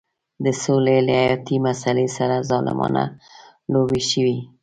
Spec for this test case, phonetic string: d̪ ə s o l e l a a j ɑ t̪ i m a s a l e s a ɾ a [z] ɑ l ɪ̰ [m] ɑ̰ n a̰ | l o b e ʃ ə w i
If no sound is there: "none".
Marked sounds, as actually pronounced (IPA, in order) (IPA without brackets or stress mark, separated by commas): z, m